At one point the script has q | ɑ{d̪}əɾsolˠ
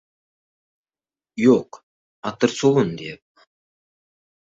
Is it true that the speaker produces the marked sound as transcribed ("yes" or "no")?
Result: no